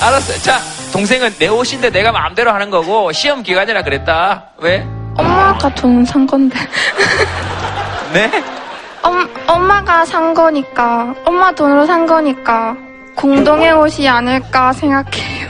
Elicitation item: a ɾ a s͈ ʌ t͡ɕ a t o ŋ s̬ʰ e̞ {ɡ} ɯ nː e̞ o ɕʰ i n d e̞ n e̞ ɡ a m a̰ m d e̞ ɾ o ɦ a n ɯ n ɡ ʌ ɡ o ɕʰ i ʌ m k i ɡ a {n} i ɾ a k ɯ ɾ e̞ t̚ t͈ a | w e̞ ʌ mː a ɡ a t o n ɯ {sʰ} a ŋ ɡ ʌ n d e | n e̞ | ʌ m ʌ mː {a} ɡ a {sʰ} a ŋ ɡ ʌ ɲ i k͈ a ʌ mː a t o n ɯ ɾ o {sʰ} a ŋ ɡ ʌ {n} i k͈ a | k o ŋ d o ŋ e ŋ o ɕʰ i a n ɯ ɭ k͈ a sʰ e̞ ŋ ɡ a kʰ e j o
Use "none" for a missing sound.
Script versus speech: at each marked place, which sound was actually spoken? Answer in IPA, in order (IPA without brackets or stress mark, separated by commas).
ŋ, ɲ, sʰ, a, sʰ, sʰ, ɲ